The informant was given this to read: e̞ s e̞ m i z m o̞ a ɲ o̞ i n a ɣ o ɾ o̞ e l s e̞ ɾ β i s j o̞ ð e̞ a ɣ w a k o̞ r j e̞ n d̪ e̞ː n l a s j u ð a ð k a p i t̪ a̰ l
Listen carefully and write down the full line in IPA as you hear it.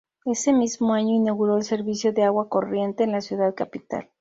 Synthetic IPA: e̞ s e̞ m i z m o̞ a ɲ o̞ i n a ɣ u ɾ o̞ e l s e̞ ɾ β i s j o̞ ð e̞ a ɣ w a k o̞ r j e̞ n t̪ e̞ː n l a s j u ð a ð k a p i t̪ a̰ l

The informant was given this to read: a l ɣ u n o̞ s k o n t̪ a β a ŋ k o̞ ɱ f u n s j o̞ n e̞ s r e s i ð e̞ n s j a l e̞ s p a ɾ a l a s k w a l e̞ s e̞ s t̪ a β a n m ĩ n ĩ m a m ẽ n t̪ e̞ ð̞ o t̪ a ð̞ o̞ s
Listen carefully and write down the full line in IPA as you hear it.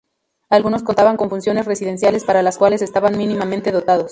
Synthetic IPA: a l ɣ u n o̞ s k o n t̪ a β a ŋ k o̞ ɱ f u n s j o̞ n e̞ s r e s i ð e̞ n s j a l e̞ s p a ɾ a l a s k w a l e̞ s e̞ s t̪ a β a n m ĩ n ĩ m a m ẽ n t̪ e̞ ð̞ o t̪ a ð̞ o̞ s

